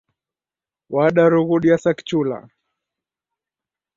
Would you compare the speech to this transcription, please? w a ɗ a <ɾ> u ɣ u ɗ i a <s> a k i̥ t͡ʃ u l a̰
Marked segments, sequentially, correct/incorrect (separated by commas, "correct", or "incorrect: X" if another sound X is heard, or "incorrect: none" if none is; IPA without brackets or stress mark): correct, correct